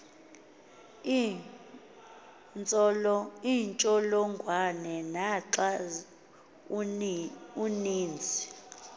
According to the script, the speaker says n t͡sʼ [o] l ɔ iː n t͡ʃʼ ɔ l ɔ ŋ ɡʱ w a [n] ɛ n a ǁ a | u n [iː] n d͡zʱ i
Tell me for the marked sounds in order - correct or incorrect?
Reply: incorrect, correct, correct

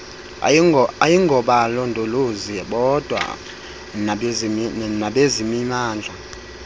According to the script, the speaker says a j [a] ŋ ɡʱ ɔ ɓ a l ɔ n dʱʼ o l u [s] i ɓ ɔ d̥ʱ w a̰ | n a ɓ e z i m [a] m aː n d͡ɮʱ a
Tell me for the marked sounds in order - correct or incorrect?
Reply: incorrect, incorrect, incorrect

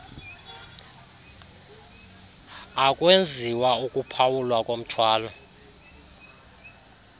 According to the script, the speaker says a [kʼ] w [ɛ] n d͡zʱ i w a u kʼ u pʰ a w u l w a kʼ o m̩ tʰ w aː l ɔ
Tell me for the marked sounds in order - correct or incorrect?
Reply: correct, incorrect

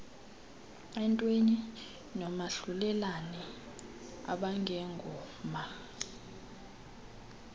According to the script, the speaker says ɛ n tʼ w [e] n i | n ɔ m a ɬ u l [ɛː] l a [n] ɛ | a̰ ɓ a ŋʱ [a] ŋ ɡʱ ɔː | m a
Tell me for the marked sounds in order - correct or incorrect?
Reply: correct, incorrect, correct, incorrect

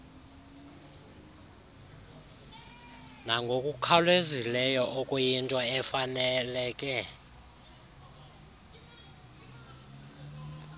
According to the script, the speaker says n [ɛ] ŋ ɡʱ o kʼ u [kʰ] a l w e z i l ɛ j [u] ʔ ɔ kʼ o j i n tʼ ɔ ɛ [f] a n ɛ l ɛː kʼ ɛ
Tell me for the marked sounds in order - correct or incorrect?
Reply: incorrect, correct, incorrect, correct

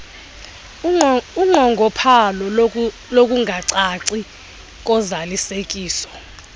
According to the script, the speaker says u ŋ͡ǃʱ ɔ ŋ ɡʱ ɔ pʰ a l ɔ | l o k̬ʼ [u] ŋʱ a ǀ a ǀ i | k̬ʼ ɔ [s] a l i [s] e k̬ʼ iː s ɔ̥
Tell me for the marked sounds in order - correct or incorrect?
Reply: correct, incorrect, correct

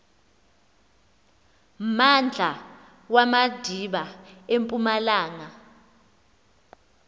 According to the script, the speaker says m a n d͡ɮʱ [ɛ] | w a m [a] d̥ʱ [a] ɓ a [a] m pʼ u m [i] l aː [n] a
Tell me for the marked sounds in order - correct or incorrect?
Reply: incorrect, correct, incorrect, incorrect, incorrect, incorrect

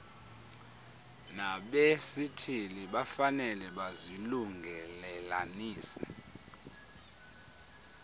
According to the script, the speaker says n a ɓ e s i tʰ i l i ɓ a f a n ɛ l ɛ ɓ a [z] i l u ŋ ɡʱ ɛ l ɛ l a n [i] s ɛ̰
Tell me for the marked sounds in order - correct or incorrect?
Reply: correct, incorrect

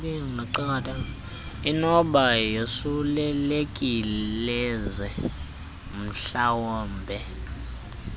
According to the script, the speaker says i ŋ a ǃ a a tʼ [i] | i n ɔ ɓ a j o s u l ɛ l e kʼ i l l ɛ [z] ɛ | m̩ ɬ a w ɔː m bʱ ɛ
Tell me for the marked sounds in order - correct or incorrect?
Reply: incorrect, correct

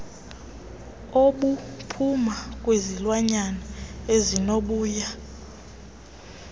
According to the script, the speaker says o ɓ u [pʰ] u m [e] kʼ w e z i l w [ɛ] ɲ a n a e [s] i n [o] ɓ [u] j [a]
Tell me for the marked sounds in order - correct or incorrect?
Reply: correct, incorrect, incorrect, incorrect, correct, incorrect, correct

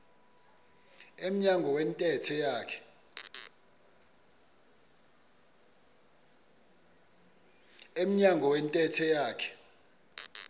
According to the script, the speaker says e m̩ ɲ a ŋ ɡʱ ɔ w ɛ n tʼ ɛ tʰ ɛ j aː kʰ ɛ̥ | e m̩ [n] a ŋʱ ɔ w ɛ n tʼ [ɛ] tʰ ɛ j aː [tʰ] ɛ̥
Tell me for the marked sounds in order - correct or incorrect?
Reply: incorrect, correct, incorrect

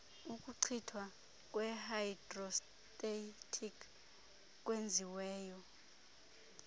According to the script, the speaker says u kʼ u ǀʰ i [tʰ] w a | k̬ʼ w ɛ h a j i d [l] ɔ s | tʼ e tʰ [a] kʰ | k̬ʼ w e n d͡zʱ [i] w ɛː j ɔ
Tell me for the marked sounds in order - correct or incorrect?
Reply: correct, incorrect, incorrect, correct

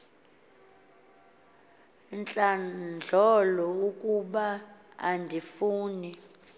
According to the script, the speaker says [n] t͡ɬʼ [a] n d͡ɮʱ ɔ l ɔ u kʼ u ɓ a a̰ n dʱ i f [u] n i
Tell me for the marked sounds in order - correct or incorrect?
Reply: correct, correct, incorrect

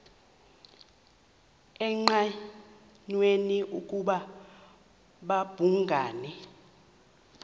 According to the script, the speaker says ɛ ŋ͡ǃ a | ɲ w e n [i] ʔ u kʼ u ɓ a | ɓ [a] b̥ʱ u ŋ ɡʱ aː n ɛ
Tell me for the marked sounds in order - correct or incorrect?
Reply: correct, correct

